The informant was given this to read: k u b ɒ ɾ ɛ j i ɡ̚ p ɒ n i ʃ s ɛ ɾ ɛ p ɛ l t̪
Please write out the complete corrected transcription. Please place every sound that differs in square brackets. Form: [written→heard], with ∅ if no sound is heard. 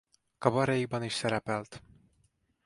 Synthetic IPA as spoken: k [u→ɒ] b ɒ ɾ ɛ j i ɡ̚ [p→b] ɒ n i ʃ s ɛ ɾ ɛ p ɛ l t̪